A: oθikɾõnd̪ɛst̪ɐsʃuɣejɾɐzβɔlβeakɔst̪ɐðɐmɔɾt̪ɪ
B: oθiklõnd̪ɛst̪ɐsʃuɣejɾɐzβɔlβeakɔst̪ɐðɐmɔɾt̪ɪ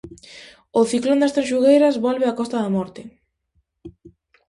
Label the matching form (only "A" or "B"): B